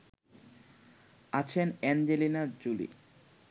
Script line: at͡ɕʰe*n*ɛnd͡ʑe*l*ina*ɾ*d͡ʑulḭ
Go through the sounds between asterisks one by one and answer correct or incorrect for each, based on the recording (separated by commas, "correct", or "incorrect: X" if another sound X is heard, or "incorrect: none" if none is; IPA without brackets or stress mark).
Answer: correct, correct, correct